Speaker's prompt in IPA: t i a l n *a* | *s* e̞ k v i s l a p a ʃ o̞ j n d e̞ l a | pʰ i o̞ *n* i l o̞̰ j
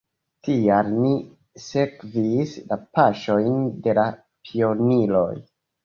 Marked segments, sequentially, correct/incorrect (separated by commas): incorrect, correct, correct